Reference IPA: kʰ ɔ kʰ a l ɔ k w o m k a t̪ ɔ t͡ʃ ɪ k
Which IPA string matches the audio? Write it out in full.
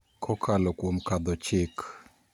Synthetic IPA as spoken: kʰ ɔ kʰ a l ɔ k w o m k a d̪ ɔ t͡ʃ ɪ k

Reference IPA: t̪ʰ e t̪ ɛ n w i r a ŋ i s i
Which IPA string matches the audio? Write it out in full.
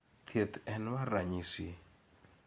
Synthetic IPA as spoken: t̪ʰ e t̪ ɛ n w a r a ɲ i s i

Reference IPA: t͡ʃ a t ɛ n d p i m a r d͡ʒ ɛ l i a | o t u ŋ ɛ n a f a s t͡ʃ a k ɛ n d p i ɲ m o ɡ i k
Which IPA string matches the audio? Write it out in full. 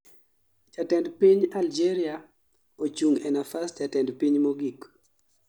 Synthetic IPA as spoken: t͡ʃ a t ɛ n d p i ɲ a l d͡ʒ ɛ ɾ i a | o t͡ʃ u ŋ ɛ n a f a s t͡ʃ a t ɛ n d p i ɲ m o ɡ i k

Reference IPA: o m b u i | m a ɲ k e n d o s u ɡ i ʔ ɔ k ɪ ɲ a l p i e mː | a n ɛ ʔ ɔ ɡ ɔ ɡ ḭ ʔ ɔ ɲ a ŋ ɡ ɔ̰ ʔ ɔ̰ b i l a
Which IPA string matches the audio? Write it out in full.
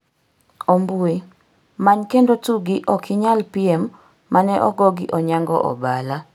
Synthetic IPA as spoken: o m b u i | m a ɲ k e n d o t u ɡ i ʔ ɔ k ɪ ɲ a l p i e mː | a n ɛ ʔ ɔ ɡ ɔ ɡ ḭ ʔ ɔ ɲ a ŋ ɡ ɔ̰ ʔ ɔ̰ b a l a

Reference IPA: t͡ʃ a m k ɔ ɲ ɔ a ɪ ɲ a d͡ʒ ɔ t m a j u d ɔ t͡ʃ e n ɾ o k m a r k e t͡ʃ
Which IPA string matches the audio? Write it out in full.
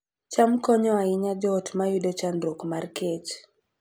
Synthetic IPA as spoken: t͡ʃ a m k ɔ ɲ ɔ a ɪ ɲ a d͡ʒ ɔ t m a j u d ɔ t͡ʃ a n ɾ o k m a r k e t͡ʃ

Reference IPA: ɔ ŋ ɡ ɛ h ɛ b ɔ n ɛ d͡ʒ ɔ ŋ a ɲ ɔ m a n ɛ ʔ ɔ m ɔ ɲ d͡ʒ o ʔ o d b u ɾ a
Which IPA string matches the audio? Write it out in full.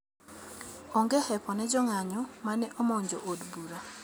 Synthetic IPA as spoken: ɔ ŋ ɡ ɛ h ɛ p ɔ n ɛ d͡ʒ ɔ ŋ a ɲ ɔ m a n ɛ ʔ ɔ m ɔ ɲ d͡ʒ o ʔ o d b u ɾ a

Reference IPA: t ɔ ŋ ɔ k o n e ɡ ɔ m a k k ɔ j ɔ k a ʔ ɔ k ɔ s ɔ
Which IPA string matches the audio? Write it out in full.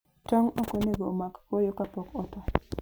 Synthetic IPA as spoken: t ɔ ŋ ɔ k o n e ɡ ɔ m a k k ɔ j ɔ k a p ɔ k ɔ t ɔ

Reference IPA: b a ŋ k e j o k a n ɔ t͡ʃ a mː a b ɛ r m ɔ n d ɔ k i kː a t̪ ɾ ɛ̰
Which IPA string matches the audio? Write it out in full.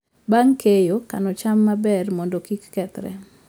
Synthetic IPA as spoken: b a ŋ k e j o k a n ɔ t͡ʃ a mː a b ɛ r m ɔ n d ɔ k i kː ɛ t̪ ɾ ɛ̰

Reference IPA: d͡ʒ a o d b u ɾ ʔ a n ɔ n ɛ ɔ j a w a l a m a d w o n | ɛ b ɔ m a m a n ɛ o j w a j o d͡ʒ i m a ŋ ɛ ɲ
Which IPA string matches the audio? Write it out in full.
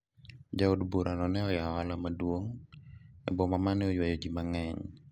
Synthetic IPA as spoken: d͡ʒ a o d b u ɾ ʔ a n ɔ n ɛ ɔ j a w a l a m a d w o ŋ | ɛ b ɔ m a m a n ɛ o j w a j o d͡ʒ i m a ŋ ɛ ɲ

